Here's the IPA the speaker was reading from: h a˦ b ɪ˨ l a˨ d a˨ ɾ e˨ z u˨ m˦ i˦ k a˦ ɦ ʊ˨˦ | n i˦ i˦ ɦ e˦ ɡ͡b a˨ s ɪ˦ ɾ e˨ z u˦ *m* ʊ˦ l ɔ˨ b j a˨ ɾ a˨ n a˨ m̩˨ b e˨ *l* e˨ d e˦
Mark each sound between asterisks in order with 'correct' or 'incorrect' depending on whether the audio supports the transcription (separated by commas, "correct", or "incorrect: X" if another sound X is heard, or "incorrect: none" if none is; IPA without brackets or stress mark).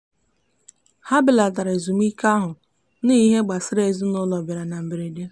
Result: incorrect: n, incorrect: ɾ